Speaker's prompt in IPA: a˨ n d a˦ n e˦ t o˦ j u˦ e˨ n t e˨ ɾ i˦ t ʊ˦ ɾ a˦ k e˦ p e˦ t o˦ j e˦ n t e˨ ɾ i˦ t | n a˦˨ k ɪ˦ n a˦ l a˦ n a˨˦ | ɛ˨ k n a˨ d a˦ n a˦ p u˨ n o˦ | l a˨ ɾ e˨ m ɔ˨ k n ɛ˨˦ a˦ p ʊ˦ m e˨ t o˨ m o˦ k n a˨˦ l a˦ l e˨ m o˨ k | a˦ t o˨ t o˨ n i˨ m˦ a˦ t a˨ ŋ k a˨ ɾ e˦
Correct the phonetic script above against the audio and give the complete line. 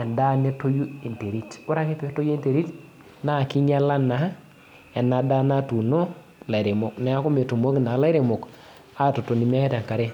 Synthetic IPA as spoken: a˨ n d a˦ n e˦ t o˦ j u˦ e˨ n t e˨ ɾ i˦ t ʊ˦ ɾ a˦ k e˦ p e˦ t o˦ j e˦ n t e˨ ɾ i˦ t | n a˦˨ k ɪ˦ ɲ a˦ l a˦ n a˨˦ | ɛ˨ n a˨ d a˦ n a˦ t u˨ n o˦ | l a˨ ɾ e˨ m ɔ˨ k n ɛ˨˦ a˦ k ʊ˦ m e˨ t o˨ m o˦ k n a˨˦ l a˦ ɾ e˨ m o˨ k | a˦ t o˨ t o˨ n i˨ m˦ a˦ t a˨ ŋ k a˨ ɾ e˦